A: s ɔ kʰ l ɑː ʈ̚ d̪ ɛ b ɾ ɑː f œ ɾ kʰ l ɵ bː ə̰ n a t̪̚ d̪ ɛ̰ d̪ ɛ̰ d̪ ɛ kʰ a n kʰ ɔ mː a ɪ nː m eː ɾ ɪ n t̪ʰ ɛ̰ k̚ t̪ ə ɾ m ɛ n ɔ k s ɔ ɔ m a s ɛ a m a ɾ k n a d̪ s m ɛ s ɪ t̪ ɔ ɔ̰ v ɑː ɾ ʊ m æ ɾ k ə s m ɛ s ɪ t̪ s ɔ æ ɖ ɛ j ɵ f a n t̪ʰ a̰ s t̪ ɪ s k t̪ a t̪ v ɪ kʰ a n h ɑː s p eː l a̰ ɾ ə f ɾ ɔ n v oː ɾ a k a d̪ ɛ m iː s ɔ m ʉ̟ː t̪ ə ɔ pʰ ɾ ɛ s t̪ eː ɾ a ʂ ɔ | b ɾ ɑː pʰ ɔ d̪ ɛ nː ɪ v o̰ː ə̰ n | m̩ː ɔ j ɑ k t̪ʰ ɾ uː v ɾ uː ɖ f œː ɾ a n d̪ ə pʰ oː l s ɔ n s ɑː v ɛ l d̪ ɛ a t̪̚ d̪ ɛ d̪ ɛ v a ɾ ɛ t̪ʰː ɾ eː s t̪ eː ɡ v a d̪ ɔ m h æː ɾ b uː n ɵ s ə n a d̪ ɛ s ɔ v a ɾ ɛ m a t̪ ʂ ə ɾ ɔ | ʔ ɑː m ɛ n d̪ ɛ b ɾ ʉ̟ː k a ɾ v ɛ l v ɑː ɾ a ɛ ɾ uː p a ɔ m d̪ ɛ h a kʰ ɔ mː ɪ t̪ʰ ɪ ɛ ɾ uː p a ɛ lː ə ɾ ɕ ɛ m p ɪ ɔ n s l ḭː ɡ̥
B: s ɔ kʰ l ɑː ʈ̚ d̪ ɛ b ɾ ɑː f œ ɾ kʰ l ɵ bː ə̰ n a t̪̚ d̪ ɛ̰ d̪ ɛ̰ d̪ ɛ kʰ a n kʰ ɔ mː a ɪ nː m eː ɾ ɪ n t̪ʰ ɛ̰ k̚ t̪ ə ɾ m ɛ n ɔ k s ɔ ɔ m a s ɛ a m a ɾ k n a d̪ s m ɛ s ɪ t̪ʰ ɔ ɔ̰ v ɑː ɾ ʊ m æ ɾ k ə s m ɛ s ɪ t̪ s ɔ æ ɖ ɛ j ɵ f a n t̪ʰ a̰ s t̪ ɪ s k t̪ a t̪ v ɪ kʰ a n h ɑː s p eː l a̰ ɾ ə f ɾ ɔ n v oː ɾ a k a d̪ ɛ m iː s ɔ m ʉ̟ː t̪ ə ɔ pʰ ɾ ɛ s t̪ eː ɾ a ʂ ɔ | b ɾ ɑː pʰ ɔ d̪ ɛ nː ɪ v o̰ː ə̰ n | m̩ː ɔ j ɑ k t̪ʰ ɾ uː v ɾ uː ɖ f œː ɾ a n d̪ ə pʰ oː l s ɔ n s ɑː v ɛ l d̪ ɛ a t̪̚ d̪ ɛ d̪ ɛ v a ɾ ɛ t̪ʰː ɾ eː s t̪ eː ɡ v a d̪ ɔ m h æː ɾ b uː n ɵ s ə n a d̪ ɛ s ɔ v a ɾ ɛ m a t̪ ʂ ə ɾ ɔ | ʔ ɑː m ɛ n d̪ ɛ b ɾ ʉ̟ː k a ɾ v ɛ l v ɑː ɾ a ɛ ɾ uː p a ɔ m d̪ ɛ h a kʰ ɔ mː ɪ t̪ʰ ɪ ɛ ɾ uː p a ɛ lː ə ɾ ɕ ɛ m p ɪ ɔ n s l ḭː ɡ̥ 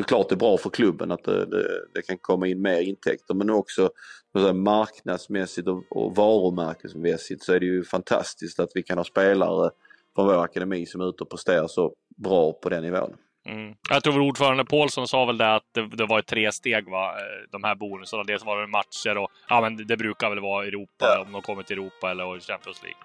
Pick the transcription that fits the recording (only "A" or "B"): A